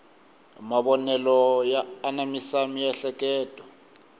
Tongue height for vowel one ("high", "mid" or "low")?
low